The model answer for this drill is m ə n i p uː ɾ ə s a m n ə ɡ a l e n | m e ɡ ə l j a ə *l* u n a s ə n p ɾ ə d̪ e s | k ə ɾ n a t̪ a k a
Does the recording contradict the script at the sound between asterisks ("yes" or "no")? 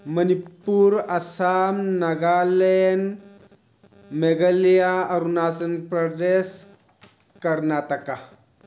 yes